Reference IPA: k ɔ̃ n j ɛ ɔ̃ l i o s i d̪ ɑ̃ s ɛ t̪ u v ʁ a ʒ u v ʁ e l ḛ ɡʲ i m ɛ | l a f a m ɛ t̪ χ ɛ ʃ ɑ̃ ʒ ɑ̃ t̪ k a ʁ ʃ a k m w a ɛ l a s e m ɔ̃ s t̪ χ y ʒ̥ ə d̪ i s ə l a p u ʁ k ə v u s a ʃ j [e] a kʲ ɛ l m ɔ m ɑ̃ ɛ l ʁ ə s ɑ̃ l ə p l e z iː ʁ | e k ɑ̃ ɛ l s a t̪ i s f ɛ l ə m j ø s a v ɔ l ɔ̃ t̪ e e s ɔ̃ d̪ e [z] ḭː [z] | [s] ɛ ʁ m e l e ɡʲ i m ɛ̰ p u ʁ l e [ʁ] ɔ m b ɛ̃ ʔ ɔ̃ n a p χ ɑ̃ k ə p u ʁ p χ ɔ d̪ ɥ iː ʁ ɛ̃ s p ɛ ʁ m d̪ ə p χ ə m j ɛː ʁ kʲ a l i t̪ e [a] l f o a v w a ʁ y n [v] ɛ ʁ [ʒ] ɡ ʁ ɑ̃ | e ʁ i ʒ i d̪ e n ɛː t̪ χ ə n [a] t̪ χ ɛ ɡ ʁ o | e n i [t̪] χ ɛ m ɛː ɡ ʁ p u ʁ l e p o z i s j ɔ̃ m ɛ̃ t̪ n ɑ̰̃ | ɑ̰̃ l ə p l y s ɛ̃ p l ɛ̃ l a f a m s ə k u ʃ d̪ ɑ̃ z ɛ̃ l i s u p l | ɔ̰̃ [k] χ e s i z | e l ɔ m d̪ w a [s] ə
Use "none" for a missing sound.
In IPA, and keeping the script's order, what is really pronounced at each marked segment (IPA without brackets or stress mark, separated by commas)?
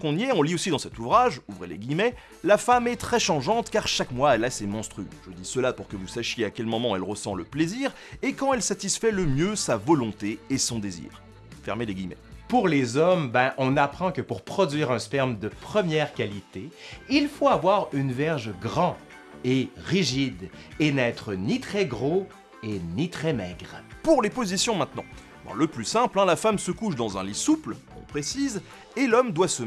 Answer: e, z, ʁ, f, z, i, v, ʒ, i, t̪, p, s